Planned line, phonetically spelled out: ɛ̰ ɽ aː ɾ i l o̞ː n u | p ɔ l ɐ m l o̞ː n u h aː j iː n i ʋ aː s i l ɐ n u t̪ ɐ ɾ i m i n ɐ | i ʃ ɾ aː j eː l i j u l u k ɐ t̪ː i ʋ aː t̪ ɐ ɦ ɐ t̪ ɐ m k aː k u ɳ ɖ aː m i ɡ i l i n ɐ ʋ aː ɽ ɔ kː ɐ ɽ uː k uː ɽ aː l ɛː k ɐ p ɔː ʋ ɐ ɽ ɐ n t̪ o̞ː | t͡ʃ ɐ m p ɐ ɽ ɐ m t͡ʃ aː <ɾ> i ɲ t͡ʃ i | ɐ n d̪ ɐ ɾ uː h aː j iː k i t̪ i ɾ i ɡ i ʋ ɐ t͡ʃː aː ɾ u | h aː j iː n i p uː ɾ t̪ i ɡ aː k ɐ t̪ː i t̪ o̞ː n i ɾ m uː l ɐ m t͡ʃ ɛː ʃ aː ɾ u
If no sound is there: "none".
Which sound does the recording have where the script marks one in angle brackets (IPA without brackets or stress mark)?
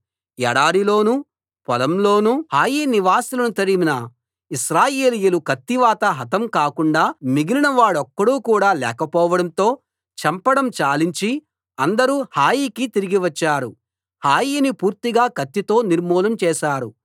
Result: l